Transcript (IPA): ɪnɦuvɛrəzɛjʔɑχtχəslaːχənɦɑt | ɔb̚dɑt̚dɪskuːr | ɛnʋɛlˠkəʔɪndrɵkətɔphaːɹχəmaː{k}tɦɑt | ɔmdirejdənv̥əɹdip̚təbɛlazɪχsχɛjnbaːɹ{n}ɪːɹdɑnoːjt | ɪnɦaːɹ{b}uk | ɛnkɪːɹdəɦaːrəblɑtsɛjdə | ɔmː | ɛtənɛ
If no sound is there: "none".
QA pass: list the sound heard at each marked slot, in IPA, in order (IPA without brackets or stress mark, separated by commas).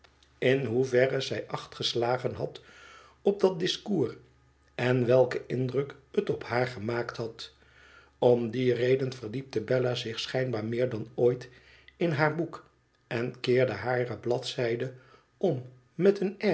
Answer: k, m, b